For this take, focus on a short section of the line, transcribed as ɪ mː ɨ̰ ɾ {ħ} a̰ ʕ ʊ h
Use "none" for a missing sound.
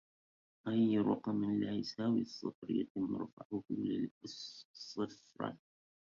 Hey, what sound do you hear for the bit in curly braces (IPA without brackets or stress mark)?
f